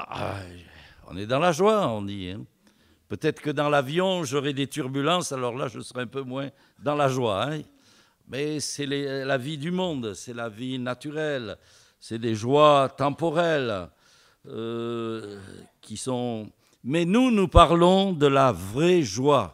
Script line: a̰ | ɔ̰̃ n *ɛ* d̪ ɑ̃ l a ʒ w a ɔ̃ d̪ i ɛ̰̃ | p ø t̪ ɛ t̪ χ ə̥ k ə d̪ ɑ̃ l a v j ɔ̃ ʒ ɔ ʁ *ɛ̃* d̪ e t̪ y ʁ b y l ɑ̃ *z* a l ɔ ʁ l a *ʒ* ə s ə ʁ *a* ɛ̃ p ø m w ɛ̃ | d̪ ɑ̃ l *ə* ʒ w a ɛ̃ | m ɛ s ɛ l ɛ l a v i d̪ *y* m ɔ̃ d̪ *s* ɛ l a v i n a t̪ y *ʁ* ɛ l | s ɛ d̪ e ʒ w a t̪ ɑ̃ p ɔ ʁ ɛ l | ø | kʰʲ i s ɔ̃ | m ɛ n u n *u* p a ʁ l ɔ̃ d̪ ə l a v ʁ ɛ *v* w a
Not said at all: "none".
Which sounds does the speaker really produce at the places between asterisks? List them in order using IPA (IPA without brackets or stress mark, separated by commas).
ɛ, ɛ, s, ʒ, ɛ, a, y, s, ʁ, u, ʒ